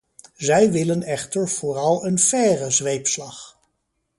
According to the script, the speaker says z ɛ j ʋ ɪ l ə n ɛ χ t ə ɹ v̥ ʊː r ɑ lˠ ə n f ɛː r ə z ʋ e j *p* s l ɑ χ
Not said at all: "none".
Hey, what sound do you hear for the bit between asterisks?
p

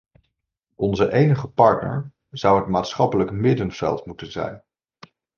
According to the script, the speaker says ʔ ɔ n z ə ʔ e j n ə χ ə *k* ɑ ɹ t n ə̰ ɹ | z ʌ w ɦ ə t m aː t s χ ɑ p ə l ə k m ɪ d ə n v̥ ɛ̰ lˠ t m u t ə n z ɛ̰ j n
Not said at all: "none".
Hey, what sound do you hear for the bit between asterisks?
p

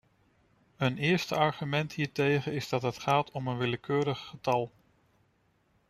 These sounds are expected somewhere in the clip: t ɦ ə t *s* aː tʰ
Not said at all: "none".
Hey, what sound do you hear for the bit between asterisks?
χ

